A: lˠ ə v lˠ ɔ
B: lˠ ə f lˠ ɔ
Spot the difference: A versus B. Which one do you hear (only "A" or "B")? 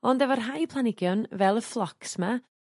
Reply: B